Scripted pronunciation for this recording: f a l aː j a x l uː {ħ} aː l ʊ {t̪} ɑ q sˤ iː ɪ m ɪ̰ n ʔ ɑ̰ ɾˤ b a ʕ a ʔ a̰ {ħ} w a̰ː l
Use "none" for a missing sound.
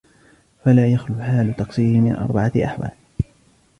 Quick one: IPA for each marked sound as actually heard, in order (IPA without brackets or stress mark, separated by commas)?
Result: ħ, t̪, ħ